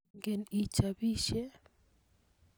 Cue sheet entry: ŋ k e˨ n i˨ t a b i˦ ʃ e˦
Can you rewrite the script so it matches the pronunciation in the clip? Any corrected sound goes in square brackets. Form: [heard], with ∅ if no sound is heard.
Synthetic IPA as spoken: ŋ [ɡ] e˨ n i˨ [t͡ʃ] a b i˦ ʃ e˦

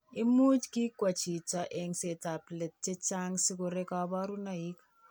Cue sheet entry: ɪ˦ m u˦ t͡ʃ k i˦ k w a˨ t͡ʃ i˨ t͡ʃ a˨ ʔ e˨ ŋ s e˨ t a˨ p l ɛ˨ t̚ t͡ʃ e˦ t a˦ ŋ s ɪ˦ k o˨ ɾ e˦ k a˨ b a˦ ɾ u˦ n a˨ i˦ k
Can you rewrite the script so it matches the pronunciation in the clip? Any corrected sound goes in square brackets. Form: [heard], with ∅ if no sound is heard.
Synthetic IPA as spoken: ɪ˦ m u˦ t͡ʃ k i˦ k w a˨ t͡ʃ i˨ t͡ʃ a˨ ʔ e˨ ŋ s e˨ t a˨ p l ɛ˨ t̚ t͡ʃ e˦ [t͡ʃ] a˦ ŋ s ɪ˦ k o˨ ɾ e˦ k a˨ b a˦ ɾ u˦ n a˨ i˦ k

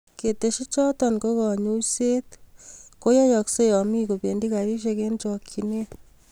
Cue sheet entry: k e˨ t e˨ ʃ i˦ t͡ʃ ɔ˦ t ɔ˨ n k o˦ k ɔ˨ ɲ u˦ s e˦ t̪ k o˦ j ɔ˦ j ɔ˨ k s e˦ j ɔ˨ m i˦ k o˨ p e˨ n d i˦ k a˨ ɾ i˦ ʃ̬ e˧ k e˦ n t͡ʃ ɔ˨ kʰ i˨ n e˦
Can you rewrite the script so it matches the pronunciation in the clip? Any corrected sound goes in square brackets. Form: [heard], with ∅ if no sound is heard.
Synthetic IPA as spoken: k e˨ t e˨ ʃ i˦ t͡ʃ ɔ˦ t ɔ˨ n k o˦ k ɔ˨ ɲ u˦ s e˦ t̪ k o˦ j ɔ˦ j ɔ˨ k s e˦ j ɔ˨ m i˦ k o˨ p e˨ n d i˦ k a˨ ɾ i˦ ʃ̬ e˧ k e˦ n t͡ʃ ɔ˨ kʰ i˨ n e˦

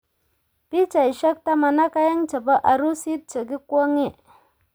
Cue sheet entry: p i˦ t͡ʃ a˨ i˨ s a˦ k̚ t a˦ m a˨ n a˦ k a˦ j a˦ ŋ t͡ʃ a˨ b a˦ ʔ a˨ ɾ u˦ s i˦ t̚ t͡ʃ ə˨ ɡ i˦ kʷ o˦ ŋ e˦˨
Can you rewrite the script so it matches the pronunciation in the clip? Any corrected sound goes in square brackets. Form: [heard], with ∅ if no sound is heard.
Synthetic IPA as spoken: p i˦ t͡ʃ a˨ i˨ [ʃ] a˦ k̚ t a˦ m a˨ n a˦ k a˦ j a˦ ŋ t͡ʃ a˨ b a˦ ʔ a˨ ɾ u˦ s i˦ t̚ t͡ʃ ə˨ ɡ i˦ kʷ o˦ ŋ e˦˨

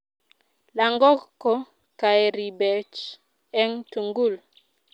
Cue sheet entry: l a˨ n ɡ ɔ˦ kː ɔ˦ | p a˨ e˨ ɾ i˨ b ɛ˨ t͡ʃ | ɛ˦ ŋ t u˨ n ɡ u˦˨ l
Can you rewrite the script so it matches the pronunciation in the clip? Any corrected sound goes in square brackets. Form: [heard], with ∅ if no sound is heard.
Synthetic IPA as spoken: l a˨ [ŋ] ɡ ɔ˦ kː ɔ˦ | [k] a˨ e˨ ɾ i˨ b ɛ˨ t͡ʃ | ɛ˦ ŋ t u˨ [ŋ] ɡ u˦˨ l

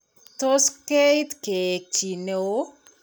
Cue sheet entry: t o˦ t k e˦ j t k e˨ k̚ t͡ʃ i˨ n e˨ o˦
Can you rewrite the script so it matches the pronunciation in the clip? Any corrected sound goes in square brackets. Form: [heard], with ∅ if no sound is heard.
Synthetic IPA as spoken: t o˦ [s] k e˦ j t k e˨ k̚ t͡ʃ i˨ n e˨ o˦

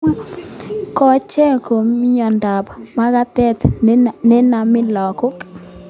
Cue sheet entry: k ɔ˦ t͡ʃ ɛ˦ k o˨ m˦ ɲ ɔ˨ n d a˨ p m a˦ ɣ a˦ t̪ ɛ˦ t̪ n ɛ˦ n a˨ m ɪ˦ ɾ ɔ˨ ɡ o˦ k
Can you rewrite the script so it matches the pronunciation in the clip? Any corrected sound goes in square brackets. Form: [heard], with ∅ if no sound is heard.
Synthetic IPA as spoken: k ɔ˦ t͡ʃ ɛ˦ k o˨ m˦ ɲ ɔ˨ n d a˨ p m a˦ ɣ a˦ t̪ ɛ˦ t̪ n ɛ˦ n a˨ m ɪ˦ [l] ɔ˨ [k] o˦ k

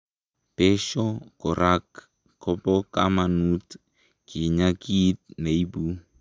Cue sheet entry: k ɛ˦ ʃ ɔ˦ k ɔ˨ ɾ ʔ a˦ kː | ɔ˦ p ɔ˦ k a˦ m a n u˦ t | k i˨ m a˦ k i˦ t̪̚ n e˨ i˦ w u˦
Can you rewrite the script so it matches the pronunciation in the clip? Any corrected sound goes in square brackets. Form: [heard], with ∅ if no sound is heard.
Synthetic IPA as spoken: [p] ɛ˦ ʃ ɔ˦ k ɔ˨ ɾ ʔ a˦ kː | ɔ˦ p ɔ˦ k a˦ m a n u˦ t | k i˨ [ɲ] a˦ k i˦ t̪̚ n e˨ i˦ [b] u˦

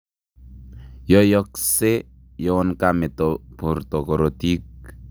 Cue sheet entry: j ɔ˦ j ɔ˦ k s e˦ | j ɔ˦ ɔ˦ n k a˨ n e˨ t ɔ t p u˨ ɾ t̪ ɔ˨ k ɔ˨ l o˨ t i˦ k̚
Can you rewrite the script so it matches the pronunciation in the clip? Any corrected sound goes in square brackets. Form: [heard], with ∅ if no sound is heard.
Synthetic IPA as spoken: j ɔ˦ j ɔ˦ k s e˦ | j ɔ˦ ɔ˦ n k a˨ [m] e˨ t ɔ [∅] p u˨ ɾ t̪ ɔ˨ k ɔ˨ [ɾ] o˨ t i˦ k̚

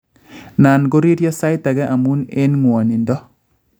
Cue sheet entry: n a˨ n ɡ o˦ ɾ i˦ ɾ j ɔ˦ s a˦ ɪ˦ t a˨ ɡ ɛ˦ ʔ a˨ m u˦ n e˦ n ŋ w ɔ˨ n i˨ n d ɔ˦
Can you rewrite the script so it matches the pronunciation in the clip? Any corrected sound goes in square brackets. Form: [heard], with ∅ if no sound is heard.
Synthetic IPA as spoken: n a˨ n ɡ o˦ ɾ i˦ ɾ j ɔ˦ s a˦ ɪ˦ t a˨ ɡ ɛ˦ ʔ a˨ m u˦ n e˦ n ŋ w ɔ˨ n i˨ n d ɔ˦

